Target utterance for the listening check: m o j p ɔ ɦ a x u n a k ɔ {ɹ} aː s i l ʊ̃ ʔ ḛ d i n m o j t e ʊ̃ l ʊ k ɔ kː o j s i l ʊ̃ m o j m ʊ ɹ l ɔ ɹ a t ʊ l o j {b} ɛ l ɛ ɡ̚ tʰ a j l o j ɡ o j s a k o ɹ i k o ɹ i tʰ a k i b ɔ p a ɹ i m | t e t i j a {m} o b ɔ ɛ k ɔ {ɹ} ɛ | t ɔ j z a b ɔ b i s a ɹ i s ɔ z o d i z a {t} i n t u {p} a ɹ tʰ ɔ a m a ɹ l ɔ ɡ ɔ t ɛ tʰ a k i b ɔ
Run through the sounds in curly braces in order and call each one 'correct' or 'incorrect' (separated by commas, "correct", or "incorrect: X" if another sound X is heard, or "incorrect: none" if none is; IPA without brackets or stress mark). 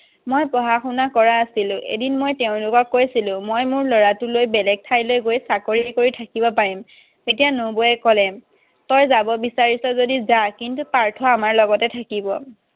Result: correct, correct, incorrect: n, incorrect: l, incorrect: k, correct